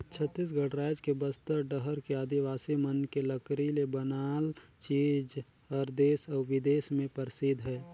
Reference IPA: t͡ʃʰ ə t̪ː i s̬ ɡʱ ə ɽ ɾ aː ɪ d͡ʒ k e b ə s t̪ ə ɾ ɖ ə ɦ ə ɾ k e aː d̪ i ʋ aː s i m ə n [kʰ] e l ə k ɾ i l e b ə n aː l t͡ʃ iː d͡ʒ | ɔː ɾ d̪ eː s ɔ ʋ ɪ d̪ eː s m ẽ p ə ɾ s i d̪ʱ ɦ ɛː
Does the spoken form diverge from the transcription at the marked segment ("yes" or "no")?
yes